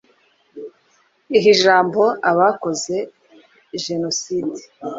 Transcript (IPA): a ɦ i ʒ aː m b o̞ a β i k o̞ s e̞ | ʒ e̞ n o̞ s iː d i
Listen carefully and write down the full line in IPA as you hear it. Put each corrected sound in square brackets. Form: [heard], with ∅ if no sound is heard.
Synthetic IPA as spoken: [i] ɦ i ʒ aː m b o̞ a β [a] k o̞ [z] e̞ | ʒ e̞ n o̞ s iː d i